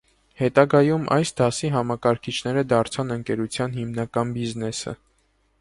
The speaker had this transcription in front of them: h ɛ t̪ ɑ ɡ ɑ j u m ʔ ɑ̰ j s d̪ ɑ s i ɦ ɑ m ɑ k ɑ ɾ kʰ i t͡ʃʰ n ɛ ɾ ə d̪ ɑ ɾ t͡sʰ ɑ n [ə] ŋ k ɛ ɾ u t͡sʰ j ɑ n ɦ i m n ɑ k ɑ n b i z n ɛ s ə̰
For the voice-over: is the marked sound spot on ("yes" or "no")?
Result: yes